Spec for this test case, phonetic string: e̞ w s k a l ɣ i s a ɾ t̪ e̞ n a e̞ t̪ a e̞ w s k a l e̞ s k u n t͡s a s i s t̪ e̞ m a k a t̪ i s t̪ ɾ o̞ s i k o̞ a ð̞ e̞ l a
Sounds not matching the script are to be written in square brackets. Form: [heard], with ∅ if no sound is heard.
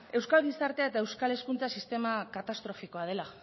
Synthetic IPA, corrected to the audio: e̞ w s k a l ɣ i s a ɾ t̪ e̞ [∅] a e̞ t̪ a e̞ w s k a l e̞ s k u n t͡s a s i s t̪ e̞ m a k a t̪ [a] s t̪ ɾ o̞ [f] i k o̞ a ð̞ e̞ l a